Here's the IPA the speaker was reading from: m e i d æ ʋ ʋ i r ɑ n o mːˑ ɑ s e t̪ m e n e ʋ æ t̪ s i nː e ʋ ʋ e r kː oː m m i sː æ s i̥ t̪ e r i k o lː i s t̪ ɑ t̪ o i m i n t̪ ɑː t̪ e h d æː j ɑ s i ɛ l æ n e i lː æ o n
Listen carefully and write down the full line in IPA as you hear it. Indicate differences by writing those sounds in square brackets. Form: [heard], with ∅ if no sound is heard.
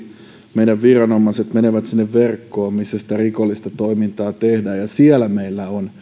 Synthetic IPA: m e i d æ ʋ ʋ i r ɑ n o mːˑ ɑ s e t̪ m e n e ʋ æ t̪ s i nː e ʋ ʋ e r kː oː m m i sː æ s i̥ t̪ [æ] r i k o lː i s t̪ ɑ t̪ o i m i n t̪ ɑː t̪ e h d æː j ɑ s i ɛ l æ [m] e i lː æ o n

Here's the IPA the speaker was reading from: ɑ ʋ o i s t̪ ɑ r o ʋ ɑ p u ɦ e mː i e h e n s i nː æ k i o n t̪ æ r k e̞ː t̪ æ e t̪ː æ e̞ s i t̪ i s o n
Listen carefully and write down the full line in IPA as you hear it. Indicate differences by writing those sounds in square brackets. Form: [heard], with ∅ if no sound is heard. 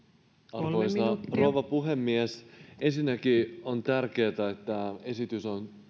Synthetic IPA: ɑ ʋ o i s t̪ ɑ r o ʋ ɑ p u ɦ e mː i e [s] e n s i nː æ k i o n t̪ æ r k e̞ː t̪ æ e t̪ː æ e̞ s i t̪ [y] s o n

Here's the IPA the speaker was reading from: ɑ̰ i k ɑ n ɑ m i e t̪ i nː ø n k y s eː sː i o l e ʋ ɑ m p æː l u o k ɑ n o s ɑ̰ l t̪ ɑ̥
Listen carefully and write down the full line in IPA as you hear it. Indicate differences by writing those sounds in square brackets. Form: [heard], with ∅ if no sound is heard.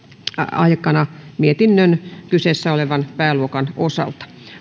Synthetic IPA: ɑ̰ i k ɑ n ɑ m i e t̪ i nː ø n k y s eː sː [æ] o l e ʋ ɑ [n] p æː l u o k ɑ n o s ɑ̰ l t̪ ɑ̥

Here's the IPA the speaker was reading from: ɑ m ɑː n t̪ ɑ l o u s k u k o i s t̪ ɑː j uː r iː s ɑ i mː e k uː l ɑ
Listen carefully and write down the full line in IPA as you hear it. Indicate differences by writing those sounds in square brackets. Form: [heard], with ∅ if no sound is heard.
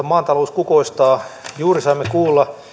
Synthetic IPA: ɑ m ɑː n t̪ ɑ l o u s k u k o i s t̪ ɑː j uː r [i] s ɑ i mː e k uː [lː] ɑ

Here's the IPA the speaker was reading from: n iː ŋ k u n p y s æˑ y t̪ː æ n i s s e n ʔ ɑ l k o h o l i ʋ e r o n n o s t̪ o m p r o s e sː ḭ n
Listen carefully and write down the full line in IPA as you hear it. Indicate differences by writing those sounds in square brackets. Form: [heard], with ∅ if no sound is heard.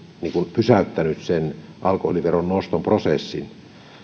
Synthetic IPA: n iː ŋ k u n p y s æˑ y t̪ː æ n [y] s s e n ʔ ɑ l k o h o l i ʋ e r o n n o s t̪ o m p r o s e sː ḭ n

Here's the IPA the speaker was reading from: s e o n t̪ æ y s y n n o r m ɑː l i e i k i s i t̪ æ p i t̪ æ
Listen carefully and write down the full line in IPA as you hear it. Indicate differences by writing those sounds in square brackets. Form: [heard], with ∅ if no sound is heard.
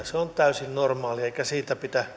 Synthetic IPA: s e o n t̪ æ y s [i] n n o r m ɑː l i e i k [æ] s [iː] t̪ æ p i t̪ æ

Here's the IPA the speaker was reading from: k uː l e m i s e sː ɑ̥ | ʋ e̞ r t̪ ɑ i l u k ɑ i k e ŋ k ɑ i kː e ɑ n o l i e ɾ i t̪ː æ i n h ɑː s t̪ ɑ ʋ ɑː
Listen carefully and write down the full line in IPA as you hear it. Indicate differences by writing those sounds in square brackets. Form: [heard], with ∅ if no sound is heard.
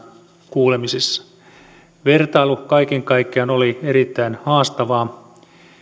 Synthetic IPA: k uː l e m i s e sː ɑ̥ | ʋ e̞ r t̪ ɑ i l u k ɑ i k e ŋ k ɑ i kː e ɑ n o l i e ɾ i t̪ː æ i n h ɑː s t̪ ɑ ʋ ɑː

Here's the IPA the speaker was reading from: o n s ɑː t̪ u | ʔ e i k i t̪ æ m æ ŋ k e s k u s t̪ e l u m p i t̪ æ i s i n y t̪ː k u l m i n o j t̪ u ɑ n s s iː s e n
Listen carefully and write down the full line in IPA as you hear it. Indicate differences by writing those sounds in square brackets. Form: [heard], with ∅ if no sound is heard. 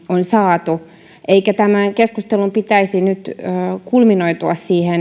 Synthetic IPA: o n s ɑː t̪ u | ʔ e i k [æ] t̪ æ m æ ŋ k e s k u s t̪ e l u m p i t̪ æ i s i n y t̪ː k u l m i n o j t̪ u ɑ [∅] s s iː [h] e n

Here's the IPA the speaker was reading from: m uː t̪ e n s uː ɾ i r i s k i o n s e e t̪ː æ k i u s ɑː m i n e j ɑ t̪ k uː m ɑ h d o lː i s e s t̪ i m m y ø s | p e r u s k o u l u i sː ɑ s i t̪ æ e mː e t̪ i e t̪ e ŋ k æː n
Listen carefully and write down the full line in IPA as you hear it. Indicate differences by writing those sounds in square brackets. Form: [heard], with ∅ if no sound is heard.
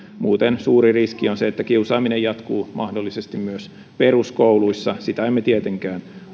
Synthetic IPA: m uː t̪ e n s uː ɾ i r i s k i o n s e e t̪ː æ k i u s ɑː m i n e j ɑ t̪ k uː m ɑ h d o lː i s e s t̪ i m m y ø s | p e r u s k o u l u i sː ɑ s i t̪ æ e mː e t̪ i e t̪ e ŋ k æː n

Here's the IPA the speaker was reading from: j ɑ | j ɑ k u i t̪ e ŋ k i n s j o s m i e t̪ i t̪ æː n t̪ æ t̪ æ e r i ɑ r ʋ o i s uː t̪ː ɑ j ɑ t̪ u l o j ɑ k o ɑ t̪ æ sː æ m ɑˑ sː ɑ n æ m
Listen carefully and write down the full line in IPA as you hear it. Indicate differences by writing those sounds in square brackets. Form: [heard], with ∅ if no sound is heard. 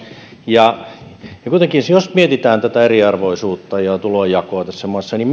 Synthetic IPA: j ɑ | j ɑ k u i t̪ e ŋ k i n s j o s m i e t̪ i t̪ æː n t̪ æ t̪ æ e r i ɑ r ʋ o i s uː t̪ː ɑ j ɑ t̪ u l o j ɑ k o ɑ t̪ æ sː æ m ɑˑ sː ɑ n [i] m

